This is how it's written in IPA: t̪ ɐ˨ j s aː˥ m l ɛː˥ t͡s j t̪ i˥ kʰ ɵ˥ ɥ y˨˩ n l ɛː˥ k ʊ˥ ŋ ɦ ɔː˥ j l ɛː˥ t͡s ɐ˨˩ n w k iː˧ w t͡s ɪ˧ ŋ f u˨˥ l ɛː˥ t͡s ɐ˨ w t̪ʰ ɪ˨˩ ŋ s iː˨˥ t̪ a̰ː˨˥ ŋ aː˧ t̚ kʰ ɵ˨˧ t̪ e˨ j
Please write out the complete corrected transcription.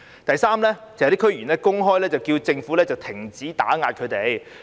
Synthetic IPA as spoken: t̪ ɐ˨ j s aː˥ m l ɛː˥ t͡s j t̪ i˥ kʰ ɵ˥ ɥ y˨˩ n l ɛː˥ k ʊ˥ ŋ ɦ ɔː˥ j l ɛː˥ t͡s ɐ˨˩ w k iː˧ w t͡s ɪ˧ ŋ f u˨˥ l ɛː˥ t͡s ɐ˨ w t̪ʰ ɪ˨˩ ŋ t͡s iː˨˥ t̪ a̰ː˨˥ ŋ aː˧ t̚ kʰ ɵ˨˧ t̪ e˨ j